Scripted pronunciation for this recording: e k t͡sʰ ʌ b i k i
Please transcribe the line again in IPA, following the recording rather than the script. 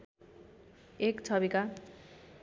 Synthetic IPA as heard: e k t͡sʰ ʌ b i k a